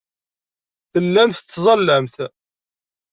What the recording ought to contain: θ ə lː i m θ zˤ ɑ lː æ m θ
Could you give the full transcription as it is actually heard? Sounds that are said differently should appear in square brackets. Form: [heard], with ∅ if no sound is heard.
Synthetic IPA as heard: θ ə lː [æ] m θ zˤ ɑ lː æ m θ